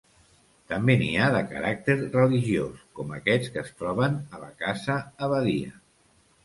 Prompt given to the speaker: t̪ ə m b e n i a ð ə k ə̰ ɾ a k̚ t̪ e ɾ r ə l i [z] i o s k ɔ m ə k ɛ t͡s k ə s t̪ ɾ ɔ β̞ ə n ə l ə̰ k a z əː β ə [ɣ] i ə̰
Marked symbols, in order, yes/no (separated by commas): no, no